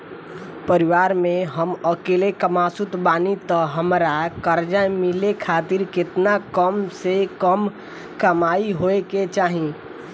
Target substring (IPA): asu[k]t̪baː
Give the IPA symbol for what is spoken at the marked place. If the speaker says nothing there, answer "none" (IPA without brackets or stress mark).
none